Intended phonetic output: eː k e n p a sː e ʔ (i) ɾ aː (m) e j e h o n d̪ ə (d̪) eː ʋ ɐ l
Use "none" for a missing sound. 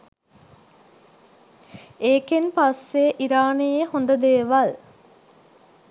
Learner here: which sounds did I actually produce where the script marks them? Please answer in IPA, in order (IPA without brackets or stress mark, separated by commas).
i, n, d̪